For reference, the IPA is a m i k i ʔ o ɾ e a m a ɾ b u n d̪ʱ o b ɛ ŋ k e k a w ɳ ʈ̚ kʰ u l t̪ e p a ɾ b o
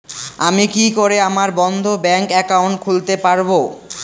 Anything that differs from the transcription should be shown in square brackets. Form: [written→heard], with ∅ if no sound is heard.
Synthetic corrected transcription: a m i k i [ʔ→k] o ɾ e a m a ɾ b [u→ɔ] n d̪ʱ o b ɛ ŋ k [e→ɛ] k a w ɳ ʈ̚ kʰ u l t̪ e p a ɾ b o